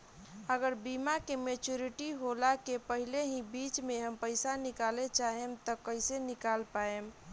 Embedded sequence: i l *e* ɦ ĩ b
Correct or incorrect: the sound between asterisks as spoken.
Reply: correct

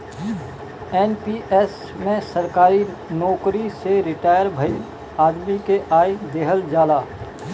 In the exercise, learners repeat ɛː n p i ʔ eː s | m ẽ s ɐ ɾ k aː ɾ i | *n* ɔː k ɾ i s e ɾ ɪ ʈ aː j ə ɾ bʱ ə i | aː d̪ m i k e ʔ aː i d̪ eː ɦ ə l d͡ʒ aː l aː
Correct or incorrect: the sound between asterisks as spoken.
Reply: correct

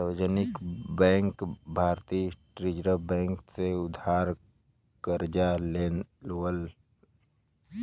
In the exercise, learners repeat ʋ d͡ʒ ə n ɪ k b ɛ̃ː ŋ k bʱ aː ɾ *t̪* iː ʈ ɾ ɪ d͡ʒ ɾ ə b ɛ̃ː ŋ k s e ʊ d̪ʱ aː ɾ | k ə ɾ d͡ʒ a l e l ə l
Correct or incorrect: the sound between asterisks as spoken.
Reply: correct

